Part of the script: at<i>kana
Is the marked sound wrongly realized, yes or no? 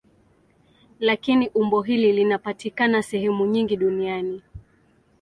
no